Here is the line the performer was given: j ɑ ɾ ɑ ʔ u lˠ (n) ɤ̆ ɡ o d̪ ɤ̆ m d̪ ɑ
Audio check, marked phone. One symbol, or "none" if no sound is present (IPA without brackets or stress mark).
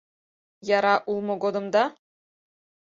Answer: m